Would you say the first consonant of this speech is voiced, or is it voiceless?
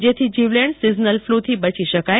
voiced